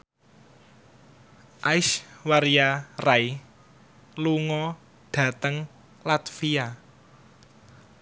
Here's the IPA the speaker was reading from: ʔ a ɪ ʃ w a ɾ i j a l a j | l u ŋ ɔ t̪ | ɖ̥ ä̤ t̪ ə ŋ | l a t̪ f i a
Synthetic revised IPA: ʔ a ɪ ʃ w a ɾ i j a r a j | l u ŋ ɔ | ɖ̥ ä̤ t̪ ə ŋ | l a t̪ f i a